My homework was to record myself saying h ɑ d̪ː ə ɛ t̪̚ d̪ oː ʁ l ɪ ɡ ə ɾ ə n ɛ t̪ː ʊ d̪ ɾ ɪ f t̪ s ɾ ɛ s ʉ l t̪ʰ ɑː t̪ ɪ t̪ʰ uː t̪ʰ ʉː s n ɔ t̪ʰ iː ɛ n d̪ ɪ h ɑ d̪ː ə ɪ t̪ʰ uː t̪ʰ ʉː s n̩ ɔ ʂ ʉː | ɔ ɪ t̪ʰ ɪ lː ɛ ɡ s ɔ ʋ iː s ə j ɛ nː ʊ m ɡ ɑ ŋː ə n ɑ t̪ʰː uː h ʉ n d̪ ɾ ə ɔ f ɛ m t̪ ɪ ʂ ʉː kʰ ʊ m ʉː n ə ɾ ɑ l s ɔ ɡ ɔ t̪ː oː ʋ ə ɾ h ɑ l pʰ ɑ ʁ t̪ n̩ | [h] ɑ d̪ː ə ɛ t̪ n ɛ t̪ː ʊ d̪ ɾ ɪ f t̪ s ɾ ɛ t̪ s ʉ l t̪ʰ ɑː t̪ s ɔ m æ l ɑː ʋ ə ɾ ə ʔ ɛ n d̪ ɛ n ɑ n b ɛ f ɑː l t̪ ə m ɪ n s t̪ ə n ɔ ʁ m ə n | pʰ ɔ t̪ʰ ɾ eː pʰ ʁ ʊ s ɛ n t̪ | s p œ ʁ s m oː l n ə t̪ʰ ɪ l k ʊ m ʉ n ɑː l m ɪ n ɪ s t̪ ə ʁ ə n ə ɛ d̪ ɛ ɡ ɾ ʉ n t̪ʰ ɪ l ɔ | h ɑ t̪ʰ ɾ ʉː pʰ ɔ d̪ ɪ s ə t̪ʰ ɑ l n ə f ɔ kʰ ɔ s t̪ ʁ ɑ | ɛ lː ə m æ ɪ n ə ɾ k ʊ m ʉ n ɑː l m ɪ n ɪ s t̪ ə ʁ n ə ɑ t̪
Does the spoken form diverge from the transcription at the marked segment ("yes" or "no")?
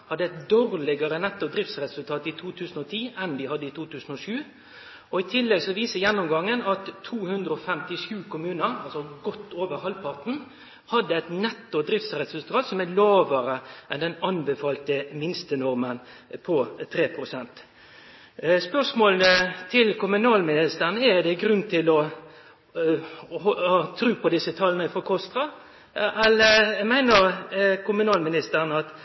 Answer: no